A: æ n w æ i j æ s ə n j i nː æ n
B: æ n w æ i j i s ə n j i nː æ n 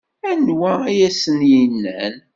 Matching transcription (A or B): A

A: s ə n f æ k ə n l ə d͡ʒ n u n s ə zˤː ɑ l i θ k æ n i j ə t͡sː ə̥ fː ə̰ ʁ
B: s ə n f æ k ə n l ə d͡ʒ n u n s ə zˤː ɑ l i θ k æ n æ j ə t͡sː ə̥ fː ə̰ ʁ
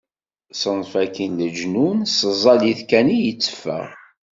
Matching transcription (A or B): A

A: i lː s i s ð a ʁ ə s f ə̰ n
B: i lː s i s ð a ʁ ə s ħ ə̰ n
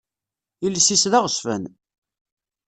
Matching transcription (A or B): A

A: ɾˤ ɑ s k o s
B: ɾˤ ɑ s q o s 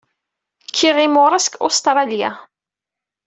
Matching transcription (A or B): A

